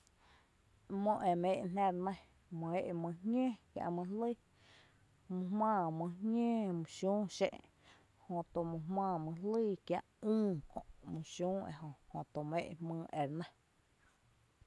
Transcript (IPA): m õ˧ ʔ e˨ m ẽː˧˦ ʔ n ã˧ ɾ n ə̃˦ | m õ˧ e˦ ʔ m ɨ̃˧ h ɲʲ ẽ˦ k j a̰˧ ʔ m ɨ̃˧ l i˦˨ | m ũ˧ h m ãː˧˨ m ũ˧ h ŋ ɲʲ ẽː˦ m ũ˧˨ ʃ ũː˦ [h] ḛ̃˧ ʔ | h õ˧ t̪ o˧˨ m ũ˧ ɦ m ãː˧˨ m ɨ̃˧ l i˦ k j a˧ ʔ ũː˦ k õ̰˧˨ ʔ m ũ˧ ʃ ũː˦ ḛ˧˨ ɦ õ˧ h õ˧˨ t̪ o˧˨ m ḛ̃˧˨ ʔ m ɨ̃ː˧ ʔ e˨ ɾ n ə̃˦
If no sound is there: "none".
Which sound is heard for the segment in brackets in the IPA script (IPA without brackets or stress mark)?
ʃ